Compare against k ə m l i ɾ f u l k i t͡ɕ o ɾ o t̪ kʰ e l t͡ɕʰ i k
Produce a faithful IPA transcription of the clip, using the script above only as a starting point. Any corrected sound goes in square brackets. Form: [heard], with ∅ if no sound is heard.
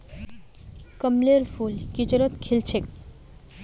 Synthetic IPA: k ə m l [e] ɾ f u l k i t͡ɕ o ɾ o t̪ kʰ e l t͡ɕʰ [e] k